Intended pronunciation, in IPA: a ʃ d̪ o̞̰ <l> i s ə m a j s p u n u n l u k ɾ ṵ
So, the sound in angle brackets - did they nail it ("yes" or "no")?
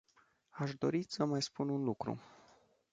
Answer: no